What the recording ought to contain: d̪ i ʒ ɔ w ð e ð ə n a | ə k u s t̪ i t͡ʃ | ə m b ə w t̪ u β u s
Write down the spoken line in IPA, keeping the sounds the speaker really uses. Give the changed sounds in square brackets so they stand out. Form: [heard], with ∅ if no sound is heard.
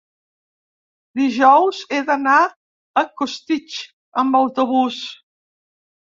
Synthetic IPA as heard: d̪ i ʒ ɔ w [z] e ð ə n a | ə k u s t̪ i t͡ʃ | ə m b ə w t̪ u β u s